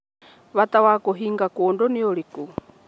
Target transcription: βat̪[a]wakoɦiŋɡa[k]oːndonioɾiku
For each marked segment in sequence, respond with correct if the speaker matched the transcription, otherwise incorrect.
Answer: correct, correct

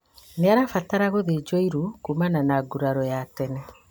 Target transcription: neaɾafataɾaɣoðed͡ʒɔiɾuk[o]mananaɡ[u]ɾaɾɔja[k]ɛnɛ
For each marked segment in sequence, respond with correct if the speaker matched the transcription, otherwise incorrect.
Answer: incorrect: u, correct, incorrect: t

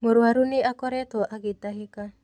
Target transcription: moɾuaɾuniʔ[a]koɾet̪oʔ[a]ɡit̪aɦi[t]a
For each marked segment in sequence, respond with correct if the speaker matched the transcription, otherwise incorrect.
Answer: correct, correct, incorrect: k

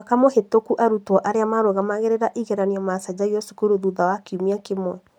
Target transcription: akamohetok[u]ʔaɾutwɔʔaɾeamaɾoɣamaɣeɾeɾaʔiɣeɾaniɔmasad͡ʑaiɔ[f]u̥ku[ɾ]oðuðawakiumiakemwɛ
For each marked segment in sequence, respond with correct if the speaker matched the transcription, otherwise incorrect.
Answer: correct, incorrect: s, correct

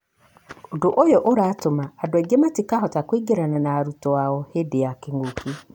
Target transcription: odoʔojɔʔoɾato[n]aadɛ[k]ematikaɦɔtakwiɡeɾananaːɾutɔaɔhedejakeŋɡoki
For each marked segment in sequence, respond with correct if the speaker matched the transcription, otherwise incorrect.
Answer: incorrect: m, incorrect: ɡ

